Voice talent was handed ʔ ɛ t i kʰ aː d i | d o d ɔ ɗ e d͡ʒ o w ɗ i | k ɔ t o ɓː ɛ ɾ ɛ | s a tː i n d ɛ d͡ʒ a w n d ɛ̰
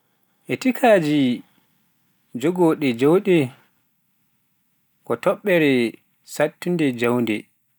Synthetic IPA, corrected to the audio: ʔ ɛ t i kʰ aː d͡ʒ i | d͡ʒ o ɡ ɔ ɗ ɛ d͡ʒ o w ɗ ɛ | k ɔ t ɔ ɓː ɛ ɾ ɛ | s a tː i n d ɛ d͡ʒ a w n d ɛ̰